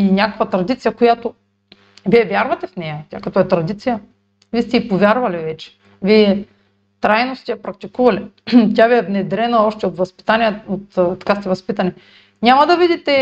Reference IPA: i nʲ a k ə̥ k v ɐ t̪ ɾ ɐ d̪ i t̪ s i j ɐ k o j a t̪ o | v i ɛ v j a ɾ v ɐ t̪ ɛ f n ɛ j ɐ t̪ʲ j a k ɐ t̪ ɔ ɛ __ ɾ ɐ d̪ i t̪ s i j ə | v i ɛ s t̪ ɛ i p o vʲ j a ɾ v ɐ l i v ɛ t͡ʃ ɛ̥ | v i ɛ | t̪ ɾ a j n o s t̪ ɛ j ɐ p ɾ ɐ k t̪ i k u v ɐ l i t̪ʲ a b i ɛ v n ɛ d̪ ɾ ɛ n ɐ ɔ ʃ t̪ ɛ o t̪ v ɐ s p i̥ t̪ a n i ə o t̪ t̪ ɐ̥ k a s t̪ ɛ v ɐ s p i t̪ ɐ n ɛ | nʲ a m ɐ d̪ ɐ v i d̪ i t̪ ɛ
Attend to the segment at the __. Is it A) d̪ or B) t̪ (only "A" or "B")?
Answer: B